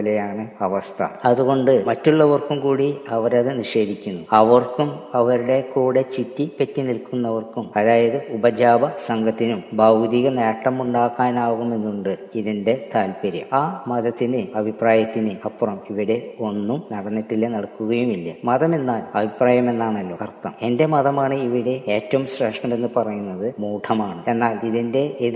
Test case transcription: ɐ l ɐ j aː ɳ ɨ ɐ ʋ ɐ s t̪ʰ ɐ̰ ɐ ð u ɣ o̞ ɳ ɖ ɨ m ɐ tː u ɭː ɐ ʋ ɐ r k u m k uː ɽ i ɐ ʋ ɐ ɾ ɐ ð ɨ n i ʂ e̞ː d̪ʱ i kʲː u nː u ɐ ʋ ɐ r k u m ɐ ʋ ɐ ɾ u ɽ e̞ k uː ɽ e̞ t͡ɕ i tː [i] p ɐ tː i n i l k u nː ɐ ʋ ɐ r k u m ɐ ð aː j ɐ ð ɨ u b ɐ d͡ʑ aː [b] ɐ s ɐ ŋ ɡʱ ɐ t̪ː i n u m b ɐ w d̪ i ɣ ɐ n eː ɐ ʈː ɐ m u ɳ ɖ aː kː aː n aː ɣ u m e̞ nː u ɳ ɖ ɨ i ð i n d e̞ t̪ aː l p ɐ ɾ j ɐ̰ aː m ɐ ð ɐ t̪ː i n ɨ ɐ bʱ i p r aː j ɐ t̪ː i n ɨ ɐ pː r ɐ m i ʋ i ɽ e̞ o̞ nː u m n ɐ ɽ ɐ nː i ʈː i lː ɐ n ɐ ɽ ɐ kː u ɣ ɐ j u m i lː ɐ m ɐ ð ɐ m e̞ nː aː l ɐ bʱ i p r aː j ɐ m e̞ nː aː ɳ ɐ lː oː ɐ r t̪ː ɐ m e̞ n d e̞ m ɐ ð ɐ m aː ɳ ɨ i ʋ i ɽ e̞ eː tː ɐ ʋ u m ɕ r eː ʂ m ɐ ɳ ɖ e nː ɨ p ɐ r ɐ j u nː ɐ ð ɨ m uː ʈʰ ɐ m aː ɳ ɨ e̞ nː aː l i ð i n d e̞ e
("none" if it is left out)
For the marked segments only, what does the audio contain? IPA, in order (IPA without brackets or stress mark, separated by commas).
i, b